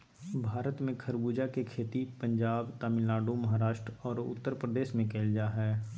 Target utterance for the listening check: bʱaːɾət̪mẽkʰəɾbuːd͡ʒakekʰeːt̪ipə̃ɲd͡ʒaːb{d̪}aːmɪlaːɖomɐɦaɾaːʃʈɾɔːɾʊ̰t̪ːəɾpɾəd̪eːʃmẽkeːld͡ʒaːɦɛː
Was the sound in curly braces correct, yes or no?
no